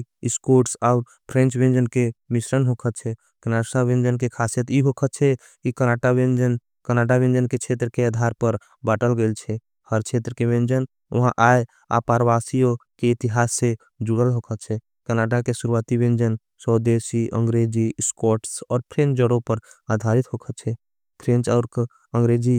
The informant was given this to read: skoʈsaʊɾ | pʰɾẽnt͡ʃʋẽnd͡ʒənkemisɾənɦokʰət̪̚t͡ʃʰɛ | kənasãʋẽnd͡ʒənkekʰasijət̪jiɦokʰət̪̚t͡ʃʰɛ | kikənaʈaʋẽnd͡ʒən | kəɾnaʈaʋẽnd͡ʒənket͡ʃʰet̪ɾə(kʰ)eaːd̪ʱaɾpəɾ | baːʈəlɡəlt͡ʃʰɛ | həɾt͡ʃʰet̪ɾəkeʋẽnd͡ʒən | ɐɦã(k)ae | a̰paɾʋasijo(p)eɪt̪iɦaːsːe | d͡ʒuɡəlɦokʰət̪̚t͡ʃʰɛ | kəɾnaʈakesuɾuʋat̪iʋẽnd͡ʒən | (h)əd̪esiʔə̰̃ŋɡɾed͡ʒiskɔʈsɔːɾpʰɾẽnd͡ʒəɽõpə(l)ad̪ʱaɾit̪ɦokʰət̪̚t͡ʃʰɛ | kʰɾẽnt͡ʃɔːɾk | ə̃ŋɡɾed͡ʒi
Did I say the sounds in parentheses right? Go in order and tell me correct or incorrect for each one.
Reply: incorrect, incorrect, incorrect, incorrect, incorrect

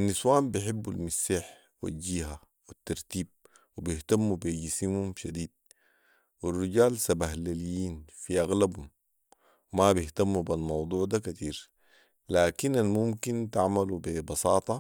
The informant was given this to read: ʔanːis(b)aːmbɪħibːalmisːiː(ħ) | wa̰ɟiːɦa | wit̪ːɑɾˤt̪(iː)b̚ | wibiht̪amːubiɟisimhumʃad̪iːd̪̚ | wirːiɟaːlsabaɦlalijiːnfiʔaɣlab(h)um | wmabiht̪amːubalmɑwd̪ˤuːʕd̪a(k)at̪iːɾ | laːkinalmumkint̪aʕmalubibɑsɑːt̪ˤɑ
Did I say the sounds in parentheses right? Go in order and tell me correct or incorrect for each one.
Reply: incorrect, correct, correct, correct, correct

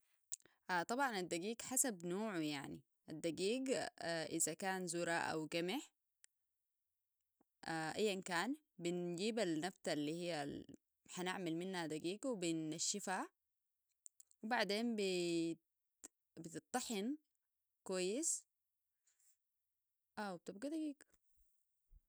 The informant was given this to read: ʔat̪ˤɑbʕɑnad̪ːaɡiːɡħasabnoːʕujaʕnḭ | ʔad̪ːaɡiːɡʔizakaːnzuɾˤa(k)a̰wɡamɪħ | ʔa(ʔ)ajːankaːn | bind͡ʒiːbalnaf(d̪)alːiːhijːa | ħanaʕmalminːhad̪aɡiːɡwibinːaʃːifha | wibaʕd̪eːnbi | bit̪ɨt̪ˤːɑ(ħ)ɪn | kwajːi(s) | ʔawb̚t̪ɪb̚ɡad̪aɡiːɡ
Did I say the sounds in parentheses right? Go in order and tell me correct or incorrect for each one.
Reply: incorrect, correct, incorrect, correct, correct

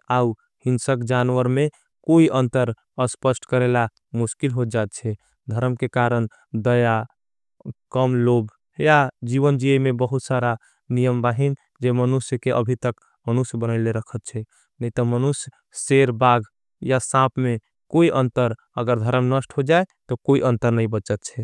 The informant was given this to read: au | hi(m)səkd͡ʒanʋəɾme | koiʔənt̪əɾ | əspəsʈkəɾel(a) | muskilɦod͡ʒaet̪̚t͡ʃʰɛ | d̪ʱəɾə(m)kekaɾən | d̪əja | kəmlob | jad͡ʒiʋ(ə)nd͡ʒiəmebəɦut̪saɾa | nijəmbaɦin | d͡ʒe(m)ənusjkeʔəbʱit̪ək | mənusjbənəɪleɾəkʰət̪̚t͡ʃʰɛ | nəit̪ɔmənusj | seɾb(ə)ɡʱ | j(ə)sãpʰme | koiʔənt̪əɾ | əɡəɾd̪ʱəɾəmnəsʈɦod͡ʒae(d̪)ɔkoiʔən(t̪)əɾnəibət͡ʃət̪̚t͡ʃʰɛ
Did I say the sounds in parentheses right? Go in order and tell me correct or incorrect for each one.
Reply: incorrect, correct, correct, correct, correct, incorrect, incorrect, incorrect, correct

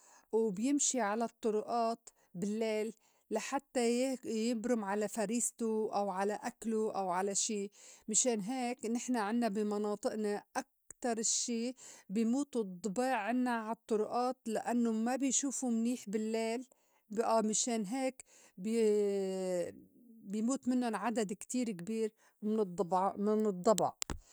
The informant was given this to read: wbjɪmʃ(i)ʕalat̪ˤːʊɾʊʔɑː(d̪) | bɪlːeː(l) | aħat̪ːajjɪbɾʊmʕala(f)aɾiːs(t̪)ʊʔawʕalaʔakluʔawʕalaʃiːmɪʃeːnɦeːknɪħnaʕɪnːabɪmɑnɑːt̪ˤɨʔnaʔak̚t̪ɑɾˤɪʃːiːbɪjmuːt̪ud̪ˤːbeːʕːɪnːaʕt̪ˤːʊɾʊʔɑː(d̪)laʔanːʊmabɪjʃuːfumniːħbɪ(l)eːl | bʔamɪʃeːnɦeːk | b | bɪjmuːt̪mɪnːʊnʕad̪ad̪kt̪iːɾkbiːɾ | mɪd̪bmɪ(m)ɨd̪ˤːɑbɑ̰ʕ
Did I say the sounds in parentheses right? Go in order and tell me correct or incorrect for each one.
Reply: correct, incorrect, incorrect, correct, correct, incorrect, incorrect, incorrect

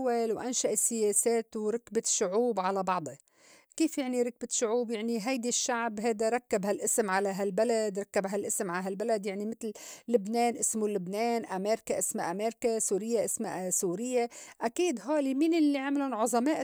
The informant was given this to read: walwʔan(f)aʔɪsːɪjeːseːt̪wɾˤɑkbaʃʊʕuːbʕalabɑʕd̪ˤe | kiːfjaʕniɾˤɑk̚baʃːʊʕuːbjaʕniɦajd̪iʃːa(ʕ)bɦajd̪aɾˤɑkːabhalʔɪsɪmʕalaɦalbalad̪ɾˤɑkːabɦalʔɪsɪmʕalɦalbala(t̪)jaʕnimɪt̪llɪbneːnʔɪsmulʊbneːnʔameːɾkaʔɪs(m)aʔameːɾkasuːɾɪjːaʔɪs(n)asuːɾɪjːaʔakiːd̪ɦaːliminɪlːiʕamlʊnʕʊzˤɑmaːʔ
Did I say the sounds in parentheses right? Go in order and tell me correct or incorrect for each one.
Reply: incorrect, correct, incorrect, correct, incorrect

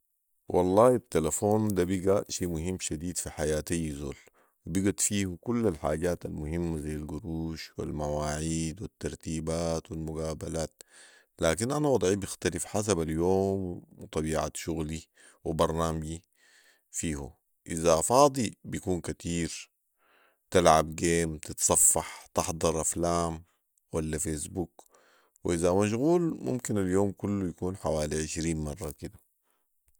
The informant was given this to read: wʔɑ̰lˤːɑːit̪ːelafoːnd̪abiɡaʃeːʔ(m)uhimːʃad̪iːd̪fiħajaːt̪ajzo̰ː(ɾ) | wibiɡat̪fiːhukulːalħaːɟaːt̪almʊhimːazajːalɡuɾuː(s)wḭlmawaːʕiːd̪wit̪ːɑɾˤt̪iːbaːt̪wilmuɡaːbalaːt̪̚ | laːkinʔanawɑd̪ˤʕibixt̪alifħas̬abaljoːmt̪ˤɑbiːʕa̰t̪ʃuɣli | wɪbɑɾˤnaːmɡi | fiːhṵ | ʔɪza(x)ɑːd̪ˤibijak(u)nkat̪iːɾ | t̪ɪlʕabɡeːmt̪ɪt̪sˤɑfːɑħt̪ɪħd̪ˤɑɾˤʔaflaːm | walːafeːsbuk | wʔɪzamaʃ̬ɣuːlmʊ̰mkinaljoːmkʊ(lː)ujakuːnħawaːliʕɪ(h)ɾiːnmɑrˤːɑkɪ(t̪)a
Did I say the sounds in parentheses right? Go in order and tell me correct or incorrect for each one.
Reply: correct, incorrect, incorrect, incorrect, incorrect, correct, incorrect, incorrect

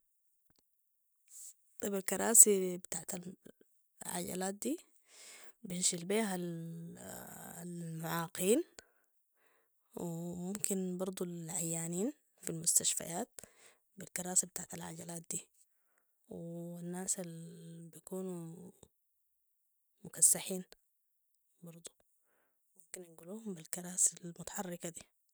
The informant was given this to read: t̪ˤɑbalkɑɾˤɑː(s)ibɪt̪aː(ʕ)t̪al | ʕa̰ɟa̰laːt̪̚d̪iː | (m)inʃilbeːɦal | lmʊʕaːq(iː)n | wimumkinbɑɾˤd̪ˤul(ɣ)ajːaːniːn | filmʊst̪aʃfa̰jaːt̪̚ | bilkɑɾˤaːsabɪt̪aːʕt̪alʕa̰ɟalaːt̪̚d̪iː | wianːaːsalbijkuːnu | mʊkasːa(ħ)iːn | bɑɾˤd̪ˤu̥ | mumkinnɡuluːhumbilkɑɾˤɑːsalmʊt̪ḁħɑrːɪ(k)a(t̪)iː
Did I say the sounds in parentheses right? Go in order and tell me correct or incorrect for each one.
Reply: correct, correct, incorrect, correct, incorrect, correct, correct, incorrect

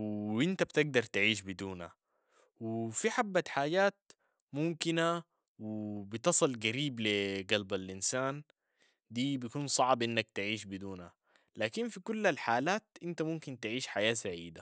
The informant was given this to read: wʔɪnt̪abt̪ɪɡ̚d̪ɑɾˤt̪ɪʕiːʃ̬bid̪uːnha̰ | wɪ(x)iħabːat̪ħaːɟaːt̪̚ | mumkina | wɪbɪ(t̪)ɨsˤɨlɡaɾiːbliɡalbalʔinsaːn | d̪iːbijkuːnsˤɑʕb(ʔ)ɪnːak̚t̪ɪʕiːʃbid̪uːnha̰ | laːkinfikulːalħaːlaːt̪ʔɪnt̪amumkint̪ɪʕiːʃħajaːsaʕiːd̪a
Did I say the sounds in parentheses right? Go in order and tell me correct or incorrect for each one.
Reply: incorrect, correct, correct

